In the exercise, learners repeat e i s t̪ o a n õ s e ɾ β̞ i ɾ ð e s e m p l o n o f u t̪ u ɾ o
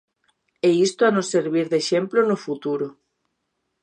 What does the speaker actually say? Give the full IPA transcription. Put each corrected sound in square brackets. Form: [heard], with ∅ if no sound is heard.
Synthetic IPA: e i s t̪ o a n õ s e ɾ β̞ i ɾ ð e [ʃ] e m p l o n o f u t̪ u ɾ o